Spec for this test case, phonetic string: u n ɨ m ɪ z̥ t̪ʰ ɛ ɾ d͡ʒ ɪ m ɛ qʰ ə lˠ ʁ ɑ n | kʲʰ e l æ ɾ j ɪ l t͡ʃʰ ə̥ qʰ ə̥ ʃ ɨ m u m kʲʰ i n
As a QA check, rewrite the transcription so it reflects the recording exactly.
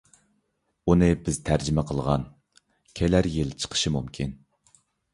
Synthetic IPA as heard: u n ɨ b ɪ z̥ t̪ʰ æ ɾ d͡ʒ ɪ m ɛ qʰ ə lˠ ʁ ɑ n | kʲʰ e l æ ɾ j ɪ l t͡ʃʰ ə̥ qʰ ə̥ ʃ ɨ m u m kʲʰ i n